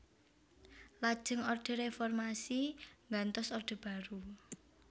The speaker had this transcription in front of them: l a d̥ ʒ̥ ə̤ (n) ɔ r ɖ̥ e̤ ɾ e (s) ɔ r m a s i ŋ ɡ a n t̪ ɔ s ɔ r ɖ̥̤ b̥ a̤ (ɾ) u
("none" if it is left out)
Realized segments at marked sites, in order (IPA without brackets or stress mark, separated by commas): ŋ, f, ɾ